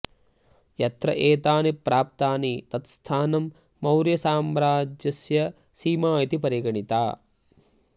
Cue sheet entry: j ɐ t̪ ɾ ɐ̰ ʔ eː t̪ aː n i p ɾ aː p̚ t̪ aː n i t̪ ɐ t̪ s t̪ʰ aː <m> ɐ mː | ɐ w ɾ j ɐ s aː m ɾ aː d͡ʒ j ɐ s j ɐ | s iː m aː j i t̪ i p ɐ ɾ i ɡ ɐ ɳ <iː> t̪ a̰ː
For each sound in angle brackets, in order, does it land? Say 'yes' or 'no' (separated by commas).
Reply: no, no